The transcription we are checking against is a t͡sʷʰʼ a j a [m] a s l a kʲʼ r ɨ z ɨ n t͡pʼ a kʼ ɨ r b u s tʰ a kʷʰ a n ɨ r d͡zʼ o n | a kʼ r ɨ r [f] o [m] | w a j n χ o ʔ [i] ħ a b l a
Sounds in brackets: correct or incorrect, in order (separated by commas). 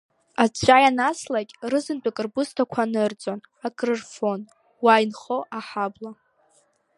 incorrect, correct, incorrect, incorrect